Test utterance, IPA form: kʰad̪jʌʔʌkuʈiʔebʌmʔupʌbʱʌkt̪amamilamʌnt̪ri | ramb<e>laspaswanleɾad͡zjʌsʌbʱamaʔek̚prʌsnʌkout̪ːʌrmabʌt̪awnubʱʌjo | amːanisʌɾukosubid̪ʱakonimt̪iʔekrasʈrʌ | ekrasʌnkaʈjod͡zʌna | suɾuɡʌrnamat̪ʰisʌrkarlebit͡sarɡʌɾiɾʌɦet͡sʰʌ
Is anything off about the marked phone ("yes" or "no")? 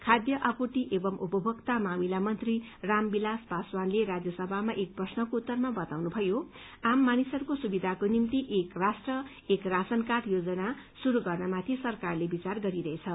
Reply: yes